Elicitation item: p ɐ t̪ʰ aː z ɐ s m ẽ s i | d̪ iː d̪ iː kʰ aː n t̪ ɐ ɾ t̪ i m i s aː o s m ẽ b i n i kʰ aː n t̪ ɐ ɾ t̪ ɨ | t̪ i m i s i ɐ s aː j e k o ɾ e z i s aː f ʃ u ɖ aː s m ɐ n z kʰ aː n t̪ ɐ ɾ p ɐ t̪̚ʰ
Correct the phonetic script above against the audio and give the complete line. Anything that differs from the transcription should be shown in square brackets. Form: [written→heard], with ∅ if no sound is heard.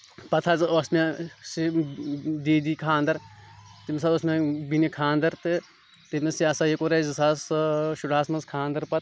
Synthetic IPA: p ɐ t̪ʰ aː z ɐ s m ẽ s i | d̪ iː d̪ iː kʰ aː n [t̪→d̪] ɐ ɾ t̪ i m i s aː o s m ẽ b i n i kʰ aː n [t̪→d̪] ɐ ɾ t̪ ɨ | t̪ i m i s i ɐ s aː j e k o ɾ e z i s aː [f→s] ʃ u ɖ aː s m ɐ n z kʰ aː n [t̪→d̪] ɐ ɾ p ɐ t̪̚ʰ